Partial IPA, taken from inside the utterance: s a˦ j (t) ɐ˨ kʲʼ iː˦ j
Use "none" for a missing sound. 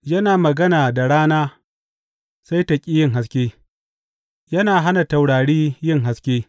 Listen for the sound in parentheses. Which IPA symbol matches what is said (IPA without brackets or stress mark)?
t